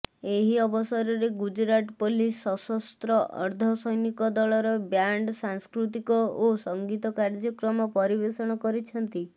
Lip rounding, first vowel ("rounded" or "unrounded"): unrounded